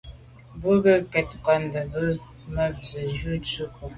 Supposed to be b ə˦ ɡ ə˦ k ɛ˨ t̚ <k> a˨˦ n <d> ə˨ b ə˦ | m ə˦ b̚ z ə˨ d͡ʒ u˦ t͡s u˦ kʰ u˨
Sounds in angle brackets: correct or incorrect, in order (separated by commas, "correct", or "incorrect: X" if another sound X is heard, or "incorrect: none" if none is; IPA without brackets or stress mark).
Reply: correct, correct